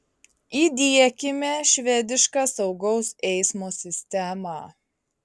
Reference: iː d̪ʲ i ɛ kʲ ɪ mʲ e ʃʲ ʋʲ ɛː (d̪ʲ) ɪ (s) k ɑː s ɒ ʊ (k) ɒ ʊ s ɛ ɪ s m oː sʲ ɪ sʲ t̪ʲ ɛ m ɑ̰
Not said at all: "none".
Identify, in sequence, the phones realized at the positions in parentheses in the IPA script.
d̪ʲ, ʃ, ɡ

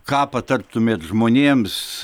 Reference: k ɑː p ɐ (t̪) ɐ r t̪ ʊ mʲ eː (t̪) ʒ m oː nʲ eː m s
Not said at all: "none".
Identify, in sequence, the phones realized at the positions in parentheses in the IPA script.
t̪, t̪

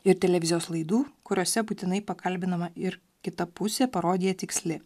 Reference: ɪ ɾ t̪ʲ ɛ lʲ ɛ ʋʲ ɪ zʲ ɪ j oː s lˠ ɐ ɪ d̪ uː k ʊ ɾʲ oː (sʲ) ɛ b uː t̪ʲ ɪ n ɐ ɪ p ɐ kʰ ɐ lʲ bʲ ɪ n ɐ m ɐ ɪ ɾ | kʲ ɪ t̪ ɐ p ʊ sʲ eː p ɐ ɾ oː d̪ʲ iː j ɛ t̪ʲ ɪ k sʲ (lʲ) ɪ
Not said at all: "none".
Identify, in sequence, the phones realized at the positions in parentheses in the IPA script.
sʲ, lʲ

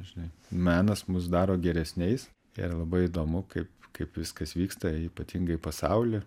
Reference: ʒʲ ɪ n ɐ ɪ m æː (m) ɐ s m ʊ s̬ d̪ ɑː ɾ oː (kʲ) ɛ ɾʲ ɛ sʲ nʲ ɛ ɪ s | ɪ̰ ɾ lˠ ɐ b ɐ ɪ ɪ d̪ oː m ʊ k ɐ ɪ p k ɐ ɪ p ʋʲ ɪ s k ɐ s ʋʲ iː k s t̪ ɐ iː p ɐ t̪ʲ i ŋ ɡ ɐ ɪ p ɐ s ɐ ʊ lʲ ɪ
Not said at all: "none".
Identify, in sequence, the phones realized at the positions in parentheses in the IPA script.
n, ɡʲ

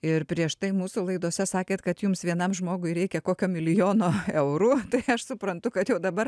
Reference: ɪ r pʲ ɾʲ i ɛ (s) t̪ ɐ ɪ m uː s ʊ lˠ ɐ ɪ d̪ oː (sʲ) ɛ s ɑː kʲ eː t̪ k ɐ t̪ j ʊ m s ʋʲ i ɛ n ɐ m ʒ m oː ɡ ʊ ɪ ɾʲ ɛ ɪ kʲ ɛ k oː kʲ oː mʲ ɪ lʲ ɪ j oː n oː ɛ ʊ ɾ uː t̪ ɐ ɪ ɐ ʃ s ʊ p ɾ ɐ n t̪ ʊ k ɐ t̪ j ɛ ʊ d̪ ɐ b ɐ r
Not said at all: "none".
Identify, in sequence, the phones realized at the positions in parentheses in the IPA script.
ʃ, sʲ

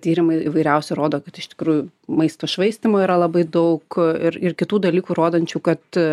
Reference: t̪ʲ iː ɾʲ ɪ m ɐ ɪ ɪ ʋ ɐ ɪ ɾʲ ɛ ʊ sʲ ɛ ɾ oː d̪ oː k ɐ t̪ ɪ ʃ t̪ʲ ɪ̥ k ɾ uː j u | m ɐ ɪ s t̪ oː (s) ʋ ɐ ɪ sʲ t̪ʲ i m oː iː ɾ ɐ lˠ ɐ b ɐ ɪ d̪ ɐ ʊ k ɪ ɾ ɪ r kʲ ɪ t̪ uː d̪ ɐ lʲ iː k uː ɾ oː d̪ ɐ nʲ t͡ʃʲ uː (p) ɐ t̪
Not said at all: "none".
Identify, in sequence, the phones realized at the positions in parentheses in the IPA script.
ʃ, k

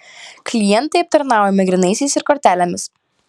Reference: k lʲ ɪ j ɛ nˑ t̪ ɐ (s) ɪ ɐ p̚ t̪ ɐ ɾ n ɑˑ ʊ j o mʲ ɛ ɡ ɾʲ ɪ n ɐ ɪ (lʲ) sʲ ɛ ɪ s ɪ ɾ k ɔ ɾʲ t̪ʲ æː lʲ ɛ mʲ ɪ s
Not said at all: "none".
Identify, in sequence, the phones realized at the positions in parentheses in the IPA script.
none, none

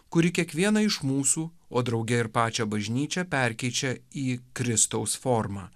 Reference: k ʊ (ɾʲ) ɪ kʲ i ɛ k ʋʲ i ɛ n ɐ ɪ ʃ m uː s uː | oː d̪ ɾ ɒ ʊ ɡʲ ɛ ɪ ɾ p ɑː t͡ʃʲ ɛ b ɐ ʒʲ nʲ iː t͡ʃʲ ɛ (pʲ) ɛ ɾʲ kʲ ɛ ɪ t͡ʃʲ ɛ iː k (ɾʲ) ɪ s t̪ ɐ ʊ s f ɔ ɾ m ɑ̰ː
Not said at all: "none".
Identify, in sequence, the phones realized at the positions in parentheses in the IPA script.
ɾʲ, pʲ, ɾʲ

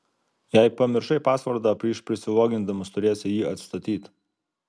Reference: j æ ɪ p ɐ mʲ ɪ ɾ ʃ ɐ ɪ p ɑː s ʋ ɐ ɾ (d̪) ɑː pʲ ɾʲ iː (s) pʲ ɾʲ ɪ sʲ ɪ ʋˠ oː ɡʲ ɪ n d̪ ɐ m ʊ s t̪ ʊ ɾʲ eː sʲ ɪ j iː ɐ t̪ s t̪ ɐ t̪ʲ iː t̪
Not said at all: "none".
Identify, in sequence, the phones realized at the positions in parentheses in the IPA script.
d̪, ʃ

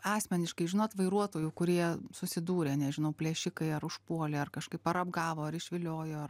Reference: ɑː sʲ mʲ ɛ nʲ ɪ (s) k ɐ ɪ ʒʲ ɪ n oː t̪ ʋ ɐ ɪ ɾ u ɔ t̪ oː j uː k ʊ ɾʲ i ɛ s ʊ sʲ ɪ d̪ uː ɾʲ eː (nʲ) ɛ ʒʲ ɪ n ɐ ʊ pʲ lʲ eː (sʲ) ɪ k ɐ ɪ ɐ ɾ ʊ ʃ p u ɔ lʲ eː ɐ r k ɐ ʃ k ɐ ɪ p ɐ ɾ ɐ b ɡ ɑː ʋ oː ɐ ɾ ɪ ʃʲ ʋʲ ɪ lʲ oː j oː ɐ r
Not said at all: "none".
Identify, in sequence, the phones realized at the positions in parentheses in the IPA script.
ʃ, nʲ, ʃʲ

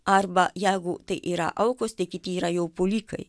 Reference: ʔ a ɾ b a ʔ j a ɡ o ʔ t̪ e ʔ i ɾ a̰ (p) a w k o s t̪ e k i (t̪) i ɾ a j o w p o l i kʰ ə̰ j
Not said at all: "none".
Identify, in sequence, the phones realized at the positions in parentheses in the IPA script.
ʔ, t̪

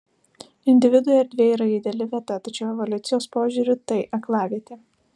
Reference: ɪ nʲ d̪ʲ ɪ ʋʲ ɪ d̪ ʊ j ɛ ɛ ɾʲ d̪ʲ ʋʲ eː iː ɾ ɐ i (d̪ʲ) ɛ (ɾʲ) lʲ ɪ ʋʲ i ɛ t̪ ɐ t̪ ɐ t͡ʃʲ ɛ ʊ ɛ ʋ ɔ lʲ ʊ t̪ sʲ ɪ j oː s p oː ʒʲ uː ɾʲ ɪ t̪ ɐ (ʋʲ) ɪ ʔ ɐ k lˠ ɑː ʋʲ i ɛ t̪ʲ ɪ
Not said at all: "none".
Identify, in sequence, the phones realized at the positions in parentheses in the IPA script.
d̪ʲ, none, none

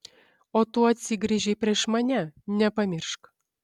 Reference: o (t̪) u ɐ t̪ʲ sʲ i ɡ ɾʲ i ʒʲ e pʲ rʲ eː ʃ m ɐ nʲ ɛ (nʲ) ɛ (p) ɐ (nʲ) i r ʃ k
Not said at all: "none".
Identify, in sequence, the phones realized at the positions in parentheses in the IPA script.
t̪, nʲ, p, mʲ

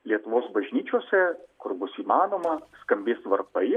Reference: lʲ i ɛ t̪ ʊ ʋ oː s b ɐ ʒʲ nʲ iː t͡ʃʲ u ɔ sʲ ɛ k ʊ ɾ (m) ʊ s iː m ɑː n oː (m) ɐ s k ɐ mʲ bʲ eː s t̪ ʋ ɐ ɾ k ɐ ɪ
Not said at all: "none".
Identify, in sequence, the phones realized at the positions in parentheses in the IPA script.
b, m

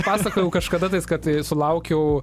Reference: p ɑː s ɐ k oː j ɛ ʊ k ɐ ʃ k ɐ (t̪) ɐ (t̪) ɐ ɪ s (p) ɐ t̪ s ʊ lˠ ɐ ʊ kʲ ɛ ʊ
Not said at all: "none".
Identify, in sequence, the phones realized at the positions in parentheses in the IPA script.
d̪, t̪, k

